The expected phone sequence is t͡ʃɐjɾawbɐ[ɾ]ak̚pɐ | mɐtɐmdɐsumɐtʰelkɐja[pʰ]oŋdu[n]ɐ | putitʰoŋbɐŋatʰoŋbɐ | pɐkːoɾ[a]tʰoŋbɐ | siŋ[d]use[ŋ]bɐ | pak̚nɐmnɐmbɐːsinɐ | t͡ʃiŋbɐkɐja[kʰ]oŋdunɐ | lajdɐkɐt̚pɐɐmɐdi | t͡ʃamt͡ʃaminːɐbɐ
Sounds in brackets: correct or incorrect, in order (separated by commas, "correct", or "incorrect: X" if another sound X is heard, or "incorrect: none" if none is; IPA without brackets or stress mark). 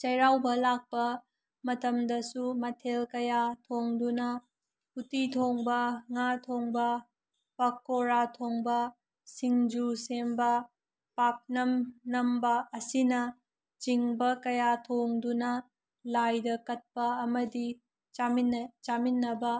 incorrect: l, incorrect: tʰ, correct, correct, incorrect: d͡ʒ, incorrect: m, incorrect: tʰ